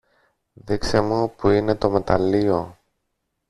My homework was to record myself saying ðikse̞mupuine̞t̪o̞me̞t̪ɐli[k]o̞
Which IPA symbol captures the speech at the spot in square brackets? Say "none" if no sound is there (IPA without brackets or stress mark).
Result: none